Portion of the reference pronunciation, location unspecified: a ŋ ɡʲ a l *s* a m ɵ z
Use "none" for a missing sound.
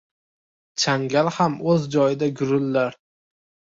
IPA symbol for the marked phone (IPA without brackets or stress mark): h